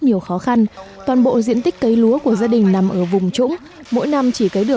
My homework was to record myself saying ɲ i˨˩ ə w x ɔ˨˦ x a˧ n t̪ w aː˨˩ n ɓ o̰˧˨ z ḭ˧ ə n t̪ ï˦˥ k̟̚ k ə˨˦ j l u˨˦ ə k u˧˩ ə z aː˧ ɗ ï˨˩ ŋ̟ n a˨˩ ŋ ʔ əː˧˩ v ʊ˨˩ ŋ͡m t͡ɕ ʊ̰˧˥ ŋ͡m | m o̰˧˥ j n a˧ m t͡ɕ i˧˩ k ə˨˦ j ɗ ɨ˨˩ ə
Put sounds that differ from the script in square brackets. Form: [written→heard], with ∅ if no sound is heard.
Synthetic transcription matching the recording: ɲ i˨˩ ə w x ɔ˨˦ x a˧ n t̪ w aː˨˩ n ɓ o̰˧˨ z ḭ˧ ə n t̪ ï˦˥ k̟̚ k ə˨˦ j l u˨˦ ə k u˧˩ ə z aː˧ ɗ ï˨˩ ŋ̟ n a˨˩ [ŋ→m] ʔ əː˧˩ v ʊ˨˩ ŋ͡m t͡ɕ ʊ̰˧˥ ŋ͡m | m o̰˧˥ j n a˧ m t͡ɕ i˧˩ k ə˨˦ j ɗ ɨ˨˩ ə